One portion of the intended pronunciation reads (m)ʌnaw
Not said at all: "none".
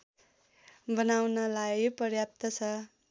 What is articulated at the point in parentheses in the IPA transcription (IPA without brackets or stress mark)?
b